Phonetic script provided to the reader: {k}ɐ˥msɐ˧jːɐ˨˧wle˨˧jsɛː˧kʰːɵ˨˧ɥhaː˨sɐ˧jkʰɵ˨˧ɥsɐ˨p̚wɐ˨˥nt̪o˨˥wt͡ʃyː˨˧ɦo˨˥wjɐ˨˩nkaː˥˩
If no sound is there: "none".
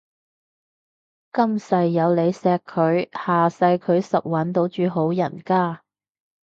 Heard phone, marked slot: k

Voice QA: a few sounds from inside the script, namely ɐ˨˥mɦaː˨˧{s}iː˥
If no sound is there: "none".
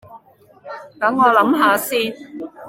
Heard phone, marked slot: s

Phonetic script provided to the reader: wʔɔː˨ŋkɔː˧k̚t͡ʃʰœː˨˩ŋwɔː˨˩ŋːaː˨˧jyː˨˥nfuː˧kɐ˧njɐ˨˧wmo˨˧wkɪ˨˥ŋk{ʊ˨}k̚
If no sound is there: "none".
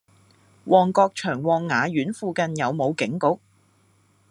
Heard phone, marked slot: ʊ˨˥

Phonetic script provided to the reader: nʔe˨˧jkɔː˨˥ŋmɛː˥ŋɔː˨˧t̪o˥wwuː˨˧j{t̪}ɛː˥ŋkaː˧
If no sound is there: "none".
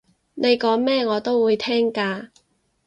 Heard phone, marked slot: t̪ʰ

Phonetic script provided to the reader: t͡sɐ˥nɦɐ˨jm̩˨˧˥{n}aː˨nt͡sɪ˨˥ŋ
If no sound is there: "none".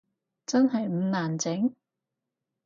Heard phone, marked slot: n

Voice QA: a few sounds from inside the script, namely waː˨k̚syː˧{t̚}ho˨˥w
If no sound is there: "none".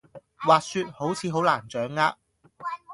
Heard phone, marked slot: t̚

